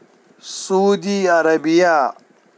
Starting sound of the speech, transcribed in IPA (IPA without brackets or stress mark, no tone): s